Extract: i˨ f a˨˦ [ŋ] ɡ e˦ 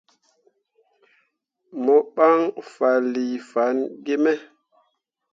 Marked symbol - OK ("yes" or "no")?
no